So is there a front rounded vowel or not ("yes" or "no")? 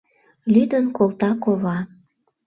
yes